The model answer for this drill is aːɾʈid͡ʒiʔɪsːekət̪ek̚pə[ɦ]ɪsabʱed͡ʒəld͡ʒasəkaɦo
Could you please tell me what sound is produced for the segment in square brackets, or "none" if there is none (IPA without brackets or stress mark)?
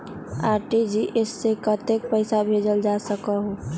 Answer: none